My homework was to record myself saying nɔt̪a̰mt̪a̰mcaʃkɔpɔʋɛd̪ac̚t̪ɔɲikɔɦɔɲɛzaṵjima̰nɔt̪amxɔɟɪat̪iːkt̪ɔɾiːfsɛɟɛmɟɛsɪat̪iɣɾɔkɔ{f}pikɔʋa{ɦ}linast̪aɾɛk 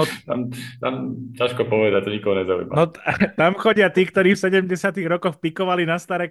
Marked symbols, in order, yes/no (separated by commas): no, no